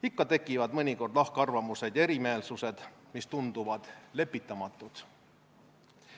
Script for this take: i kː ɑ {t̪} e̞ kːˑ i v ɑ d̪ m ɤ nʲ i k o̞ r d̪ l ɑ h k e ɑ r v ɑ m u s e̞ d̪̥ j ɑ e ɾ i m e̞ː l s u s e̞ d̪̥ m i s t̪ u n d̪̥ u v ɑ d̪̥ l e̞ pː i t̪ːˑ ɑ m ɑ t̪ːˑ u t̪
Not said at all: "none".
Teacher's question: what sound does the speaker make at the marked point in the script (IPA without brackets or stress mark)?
t̪